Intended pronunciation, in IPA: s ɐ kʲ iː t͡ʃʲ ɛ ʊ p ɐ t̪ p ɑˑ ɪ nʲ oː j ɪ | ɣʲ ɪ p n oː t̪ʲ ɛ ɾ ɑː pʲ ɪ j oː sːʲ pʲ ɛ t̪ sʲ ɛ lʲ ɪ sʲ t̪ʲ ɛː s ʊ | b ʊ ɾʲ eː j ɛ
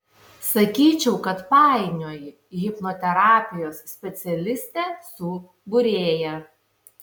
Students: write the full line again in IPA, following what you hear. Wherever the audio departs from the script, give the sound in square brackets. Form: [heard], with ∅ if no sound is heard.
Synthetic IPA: s ɐ kʲ iː t͡ʃʲ ɛ ʊ [k] ɐ t̪ p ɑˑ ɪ nʲ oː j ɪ | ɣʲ ɪ p n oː t̪ʲ ɛ ɾ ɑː pʲ ɪ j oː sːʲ pʲ ɛ t̪ sʲ ɛ lʲ ɪ sʲ t̪ʲ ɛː s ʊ | b ʊ ɾʲ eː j ɛ

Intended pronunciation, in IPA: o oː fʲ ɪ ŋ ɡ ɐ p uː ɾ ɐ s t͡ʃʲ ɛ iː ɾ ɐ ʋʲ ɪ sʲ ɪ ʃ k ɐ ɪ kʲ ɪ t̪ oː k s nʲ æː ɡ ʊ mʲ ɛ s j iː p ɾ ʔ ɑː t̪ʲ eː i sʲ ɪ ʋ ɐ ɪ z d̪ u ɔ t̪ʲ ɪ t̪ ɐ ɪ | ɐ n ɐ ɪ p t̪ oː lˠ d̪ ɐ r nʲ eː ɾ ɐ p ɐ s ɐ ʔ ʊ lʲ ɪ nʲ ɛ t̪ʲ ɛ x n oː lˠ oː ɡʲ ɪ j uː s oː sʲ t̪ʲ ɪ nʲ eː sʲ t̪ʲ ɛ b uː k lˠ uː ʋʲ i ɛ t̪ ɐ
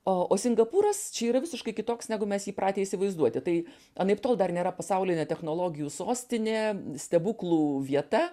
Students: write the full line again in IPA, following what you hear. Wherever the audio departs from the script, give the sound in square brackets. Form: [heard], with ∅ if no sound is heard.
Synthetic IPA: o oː [sʲ] ɪ ŋ ɡ ɐ p uː ɾ ɐ s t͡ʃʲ ɛ iː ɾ ɐ ʋʲ ɪ sʲ ɪ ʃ k ɐ ɪ kʲ ɪ t̪ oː k s nʲ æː ɡ ʊ mʲ ɛ s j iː p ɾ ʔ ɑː t̪ʲ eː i sʲ ɪ ʋ ɐ ɪ z d̪ u ɔ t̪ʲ ɪ t̪ ɐ ɪ | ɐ n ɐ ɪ p t̪ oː lˠ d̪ ɐ r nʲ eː ɾ ɐ p ɐ s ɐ [∅] ʊ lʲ ɪ nʲ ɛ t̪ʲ ɛ x n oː lˠ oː ɡʲ ɪ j uː s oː sʲ t̪ʲ ɪ nʲ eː sʲ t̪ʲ ɛ b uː k lˠ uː ʋʲ i ɛ t̪ ɐ

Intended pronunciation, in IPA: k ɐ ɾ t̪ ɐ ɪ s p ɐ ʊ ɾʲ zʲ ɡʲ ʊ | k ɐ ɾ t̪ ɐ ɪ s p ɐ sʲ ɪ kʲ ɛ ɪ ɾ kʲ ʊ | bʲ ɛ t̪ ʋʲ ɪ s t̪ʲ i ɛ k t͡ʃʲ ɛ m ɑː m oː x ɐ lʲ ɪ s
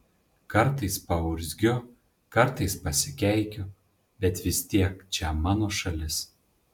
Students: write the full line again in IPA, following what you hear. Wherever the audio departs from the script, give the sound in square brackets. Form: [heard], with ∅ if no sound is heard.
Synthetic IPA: k ɐ ɾ t̪ ɐ ɪ s p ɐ ʊ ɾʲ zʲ ɡʲ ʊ | k ɐ ɾ t̪ ɐ ɪ s p ɐ sʲ ɪ kʲ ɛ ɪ [∅] kʲ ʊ | bʲ ɛ t̪ ʋʲ ɪ s t̪ʲ i ɛ k t͡ʃʲ ɛ m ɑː [n] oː [ʃ] ɐ lʲ ɪ s

